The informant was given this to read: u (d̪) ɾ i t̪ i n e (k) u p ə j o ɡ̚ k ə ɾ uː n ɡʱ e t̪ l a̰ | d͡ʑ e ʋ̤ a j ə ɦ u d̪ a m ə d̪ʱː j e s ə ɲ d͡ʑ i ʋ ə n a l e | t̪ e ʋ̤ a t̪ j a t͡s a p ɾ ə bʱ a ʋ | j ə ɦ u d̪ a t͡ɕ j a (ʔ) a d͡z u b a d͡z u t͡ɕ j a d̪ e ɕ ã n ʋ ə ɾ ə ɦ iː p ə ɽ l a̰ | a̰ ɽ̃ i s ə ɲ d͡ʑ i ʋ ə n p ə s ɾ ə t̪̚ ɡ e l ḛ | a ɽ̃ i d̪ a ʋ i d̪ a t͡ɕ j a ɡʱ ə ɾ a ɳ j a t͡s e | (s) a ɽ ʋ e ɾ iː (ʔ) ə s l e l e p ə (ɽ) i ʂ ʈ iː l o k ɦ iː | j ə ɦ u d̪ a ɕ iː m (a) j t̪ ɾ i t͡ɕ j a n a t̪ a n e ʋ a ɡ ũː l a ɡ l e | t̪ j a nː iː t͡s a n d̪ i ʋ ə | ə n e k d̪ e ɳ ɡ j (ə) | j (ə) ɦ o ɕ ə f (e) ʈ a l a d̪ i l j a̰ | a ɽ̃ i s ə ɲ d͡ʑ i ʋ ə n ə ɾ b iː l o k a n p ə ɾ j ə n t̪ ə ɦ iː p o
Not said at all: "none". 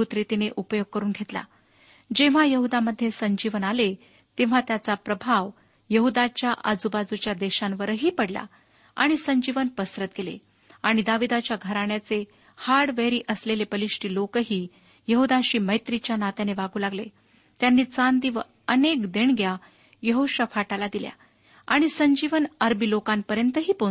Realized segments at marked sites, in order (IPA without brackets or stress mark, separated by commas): t̪, ʔ, ʔ, h, ʔ, l, ə, a, ə, a